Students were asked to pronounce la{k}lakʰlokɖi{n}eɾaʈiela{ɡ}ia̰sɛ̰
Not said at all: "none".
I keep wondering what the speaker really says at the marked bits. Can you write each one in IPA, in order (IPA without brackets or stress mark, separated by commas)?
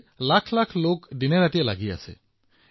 kʰ, n, ɡ